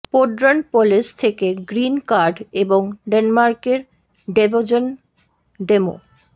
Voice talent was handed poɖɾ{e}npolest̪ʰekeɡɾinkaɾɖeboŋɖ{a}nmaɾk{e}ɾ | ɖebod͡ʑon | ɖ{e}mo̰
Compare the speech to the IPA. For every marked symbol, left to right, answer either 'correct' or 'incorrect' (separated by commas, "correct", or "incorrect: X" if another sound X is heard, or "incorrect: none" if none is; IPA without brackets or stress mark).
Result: incorrect: a, incorrect: e, correct, correct